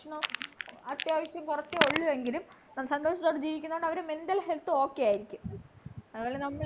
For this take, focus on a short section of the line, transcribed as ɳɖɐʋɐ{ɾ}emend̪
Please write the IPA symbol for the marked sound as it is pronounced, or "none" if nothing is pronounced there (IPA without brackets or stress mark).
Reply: ɾ